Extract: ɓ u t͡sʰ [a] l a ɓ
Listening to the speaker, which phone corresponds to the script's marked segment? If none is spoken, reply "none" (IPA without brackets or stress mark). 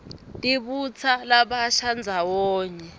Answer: a